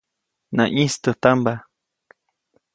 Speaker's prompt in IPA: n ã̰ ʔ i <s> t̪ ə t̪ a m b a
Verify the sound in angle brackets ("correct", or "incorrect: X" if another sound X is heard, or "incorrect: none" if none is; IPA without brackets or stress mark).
correct